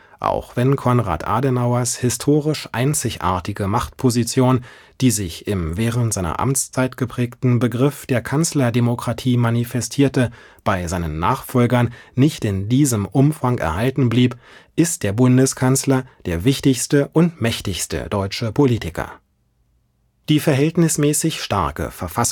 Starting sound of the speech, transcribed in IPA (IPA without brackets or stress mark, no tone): ʔ